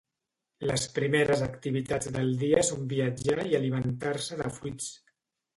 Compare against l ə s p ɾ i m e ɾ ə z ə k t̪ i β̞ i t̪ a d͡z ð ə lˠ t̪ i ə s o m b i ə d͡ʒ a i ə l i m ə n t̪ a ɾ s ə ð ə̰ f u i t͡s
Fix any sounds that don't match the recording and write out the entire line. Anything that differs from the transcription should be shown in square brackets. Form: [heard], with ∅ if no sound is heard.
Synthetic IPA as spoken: l ə s p ɾ i m e ɾ ə z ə k t̪ i β̞ i t̪ a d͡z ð ə lˠ [d̪] i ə s o m b i ə d͡ʒ a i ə l i m ə n t̪ a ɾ s ə ð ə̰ f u i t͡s